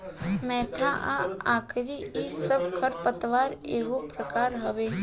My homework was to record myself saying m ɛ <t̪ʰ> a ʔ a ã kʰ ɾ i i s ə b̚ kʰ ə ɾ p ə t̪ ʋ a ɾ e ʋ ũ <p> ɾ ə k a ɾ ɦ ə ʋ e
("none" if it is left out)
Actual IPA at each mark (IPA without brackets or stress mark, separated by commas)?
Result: t̪ʰ, p